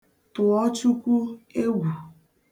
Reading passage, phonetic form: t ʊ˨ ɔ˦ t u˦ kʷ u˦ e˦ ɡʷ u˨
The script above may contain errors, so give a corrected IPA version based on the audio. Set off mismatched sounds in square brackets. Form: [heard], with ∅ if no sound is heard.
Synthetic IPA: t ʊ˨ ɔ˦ [t͡ʃ] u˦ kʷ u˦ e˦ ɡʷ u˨